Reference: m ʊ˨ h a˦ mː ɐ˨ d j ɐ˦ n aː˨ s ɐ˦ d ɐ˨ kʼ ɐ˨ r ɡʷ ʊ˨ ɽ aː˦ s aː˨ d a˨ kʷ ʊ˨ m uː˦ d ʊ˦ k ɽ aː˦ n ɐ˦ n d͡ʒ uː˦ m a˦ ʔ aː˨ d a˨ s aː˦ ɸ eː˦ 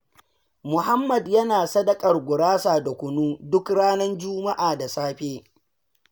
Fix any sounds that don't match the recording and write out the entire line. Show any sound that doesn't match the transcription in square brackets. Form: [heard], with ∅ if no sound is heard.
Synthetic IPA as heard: m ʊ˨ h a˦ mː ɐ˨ d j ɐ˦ n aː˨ s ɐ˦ d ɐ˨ kʼ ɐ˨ r ɡʷ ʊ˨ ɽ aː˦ s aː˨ d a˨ kʷ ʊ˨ [n] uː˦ d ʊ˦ k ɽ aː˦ n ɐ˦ n d͡ʒ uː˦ m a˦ ʔ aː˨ d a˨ s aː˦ ɸ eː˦